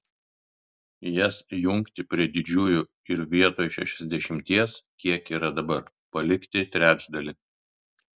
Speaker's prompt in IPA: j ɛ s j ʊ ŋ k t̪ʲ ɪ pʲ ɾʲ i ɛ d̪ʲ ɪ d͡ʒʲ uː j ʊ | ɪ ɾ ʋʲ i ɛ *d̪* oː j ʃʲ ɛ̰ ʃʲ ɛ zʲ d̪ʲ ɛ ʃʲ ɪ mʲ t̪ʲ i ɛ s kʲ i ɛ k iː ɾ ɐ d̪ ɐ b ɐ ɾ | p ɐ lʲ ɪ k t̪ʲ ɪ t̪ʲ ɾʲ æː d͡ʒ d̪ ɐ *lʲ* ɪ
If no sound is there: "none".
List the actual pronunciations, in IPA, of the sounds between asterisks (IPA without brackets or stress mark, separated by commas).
t̪, lʲ